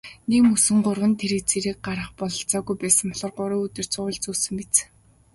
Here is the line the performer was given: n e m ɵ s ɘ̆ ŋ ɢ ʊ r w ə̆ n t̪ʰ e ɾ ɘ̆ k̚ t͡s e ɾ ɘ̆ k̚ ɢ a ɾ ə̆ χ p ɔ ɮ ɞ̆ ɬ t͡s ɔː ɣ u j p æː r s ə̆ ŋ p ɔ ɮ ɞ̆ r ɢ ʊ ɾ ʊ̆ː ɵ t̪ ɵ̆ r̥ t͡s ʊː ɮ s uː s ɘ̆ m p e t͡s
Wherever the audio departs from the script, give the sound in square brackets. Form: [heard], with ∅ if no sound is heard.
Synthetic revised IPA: n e m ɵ s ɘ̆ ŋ ɢ ʊ r w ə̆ n t̪ʰ e ɾ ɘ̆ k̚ t͡s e ɾ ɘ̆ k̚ ɢ a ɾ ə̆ χ p ɔ ɮ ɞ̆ ɬ t͡s ɔː ɣ u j p æː [∅] s ə̆ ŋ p ɔ ɮ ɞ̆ r ɢ ʊ ɾ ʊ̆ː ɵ t̪ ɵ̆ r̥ t͡s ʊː ɮ [t͡s] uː s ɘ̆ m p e t͡s